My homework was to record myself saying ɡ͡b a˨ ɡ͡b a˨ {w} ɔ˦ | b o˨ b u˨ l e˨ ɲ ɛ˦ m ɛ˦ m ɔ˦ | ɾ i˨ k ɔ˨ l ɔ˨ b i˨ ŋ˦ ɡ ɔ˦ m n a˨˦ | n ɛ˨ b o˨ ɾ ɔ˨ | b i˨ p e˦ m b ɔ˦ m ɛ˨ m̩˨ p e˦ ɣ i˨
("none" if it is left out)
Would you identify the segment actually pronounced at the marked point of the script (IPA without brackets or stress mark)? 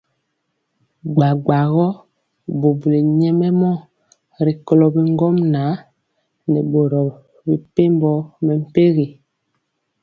ɣ